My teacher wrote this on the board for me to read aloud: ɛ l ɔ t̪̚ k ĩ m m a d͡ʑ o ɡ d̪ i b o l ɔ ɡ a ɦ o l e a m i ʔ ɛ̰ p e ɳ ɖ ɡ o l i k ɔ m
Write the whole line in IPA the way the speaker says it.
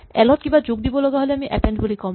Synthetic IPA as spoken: ɛ l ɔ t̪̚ k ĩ m b a d͡ʑ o ɡ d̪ i b o l ɔ ɡ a ɦ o l e a m i ʔ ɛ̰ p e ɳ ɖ b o l i k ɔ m